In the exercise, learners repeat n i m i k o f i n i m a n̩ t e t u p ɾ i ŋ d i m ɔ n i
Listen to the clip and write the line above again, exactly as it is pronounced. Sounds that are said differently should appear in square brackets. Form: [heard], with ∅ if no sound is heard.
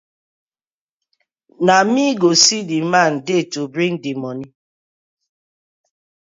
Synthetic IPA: n [a] m i [ɡ] o [s] i [d] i m a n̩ [d] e t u [b] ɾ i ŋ d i m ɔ n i

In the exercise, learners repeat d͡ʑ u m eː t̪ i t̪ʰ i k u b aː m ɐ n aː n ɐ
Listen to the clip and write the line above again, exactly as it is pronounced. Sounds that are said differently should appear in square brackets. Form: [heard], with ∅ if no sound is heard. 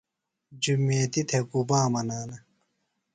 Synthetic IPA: d͡ʑ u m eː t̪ i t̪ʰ [e] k u b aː m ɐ n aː n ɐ

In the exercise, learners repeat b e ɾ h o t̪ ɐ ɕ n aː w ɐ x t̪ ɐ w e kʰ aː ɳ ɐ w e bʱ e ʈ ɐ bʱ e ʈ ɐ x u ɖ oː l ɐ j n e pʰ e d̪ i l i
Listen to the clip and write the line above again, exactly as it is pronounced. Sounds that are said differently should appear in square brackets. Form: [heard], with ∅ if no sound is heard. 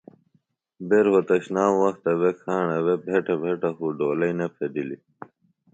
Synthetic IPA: b e ɾ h o t̪ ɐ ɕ n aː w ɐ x t̪ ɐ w e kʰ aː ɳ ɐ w e bʱ e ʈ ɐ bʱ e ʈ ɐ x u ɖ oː l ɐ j n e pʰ e d̪ i l i

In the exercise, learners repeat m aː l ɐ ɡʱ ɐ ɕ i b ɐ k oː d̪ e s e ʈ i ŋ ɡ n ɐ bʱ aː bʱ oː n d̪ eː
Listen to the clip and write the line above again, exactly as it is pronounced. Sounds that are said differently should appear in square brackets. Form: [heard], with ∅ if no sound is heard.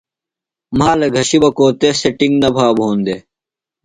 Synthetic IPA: m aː l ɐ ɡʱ ɐ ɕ i b ɐ k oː [t̪] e s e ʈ i ŋ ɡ n ɐ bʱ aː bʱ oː n d̪ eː

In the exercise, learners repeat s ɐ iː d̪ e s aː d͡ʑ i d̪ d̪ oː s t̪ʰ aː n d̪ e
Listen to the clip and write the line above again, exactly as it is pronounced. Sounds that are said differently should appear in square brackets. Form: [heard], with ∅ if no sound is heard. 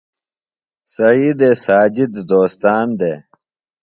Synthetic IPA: s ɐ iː d̪ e s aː d͡ʑ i d̪ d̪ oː s [t̪] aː n d̪ e

